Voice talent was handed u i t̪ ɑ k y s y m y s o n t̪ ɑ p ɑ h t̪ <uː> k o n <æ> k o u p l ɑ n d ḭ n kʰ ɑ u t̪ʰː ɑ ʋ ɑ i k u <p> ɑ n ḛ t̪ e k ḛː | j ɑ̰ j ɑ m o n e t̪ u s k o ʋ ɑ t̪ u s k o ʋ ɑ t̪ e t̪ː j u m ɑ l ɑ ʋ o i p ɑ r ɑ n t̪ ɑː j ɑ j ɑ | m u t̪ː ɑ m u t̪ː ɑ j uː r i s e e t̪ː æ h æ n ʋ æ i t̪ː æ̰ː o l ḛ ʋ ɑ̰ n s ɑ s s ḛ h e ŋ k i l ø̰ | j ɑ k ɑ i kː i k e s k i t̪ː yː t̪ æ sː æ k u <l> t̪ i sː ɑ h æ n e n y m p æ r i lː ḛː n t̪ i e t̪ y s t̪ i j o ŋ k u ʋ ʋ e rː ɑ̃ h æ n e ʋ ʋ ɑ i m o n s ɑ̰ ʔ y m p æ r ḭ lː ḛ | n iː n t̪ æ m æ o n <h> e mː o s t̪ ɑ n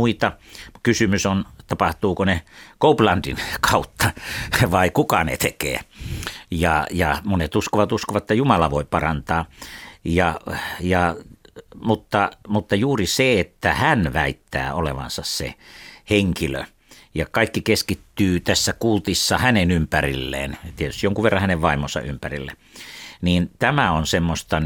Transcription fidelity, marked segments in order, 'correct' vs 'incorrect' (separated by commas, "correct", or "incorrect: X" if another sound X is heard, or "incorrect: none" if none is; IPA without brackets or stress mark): correct, incorrect: e, incorrect: k, correct, incorrect: s